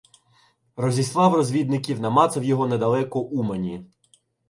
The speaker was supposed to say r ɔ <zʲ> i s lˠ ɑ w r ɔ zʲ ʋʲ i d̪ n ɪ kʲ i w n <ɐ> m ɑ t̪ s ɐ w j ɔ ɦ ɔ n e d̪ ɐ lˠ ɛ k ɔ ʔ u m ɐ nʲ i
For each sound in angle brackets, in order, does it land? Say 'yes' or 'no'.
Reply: yes, yes

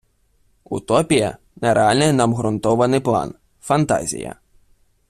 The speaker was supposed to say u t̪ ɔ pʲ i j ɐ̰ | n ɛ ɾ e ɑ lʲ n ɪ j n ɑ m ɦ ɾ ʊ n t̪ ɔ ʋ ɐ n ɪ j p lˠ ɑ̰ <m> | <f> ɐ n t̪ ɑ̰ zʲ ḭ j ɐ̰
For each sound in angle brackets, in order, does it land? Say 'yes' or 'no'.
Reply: no, yes

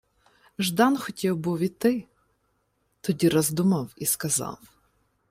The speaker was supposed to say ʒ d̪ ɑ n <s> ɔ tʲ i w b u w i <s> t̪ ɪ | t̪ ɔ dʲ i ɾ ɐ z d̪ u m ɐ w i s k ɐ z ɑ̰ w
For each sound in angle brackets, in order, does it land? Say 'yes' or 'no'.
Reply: no, no

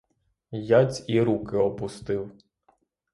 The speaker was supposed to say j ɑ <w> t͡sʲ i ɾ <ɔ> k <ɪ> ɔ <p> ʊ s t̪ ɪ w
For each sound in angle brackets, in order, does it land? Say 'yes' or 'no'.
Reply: no, no, yes, yes

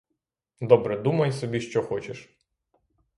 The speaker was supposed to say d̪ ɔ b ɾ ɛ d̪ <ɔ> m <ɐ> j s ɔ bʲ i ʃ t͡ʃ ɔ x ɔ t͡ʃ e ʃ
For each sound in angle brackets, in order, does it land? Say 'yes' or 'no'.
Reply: no, yes

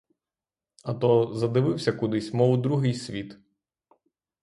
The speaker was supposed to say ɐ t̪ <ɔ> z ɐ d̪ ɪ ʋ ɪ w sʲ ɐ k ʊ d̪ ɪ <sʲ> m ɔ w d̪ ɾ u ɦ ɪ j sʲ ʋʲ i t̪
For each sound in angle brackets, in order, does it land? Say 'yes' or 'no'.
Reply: yes, yes

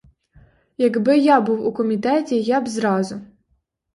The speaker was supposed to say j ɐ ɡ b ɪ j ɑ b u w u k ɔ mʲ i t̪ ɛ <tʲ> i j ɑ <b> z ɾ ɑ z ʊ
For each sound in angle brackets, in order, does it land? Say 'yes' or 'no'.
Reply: yes, yes

